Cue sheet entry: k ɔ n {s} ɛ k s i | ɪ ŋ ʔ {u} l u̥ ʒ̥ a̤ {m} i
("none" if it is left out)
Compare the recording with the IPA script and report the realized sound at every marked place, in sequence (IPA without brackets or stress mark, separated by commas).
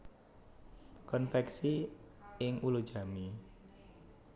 f, u, m